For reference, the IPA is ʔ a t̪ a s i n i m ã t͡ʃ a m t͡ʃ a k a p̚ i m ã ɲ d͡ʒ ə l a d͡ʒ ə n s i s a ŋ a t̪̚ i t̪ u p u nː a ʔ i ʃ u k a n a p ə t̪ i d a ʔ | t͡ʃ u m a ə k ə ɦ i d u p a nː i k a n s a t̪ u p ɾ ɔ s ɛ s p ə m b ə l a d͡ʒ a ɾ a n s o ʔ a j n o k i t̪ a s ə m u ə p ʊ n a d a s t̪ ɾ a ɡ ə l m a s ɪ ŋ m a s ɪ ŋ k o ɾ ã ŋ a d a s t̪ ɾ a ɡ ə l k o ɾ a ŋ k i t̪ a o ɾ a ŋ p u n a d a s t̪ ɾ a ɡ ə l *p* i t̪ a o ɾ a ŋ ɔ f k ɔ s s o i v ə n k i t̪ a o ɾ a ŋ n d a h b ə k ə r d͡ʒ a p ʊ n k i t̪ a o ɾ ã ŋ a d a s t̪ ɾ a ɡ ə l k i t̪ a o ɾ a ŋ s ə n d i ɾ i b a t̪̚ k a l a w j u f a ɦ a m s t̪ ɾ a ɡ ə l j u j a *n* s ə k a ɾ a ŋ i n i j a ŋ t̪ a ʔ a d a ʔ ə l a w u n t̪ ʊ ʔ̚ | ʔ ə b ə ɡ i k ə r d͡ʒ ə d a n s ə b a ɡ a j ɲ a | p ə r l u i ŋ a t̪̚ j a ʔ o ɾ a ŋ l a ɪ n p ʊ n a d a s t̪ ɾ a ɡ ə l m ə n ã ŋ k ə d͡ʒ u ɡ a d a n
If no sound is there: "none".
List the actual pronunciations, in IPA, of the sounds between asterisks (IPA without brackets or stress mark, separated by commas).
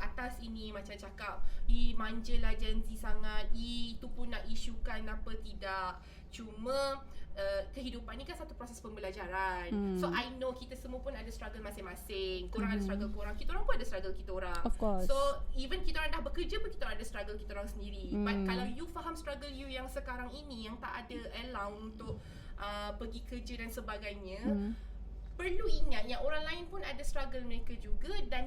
k, ŋ